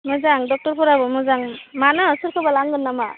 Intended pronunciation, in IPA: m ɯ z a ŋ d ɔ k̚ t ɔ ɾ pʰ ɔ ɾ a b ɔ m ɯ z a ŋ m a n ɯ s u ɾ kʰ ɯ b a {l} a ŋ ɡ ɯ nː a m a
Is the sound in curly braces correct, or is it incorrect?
correct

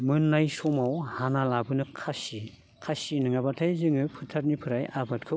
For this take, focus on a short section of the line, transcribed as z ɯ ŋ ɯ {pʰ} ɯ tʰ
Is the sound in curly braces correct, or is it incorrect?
correct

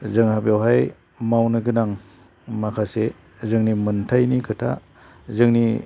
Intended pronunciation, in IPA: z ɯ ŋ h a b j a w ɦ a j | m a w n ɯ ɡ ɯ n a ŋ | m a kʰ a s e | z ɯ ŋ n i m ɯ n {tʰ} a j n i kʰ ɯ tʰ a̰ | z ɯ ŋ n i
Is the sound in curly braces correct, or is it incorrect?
correct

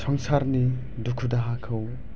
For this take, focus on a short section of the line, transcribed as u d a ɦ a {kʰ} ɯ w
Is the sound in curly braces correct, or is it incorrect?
correct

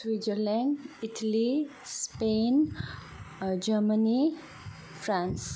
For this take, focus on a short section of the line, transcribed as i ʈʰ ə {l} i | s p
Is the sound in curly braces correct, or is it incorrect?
correct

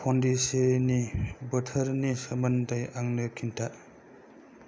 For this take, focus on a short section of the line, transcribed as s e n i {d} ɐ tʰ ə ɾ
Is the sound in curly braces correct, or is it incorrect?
incorrect: b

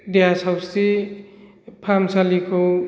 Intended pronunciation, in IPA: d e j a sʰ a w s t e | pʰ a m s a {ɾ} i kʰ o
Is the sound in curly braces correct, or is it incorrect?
incorrect: l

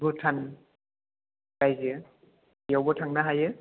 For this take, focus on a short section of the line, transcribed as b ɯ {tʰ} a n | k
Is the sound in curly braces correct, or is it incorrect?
correct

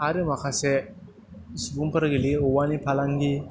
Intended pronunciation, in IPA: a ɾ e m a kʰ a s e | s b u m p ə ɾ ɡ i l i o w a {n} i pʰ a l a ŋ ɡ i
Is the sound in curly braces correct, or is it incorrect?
correct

